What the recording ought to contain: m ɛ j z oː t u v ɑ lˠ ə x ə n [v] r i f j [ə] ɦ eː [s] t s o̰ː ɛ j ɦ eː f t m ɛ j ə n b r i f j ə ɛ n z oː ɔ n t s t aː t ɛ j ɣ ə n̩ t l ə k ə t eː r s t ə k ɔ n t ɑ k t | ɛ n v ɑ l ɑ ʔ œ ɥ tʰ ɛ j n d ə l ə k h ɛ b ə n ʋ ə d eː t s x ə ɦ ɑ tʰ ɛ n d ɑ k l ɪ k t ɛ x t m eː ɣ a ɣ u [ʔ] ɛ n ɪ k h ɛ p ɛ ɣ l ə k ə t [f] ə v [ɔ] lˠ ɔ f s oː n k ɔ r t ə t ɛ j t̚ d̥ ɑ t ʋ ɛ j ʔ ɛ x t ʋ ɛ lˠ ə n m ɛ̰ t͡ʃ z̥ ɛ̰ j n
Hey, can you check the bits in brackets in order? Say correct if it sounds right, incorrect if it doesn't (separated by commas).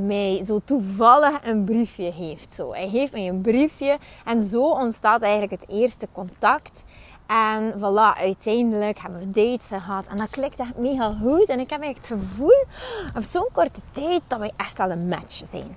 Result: incorrect, correct, incorrect, incorrect, incorrect, incorrect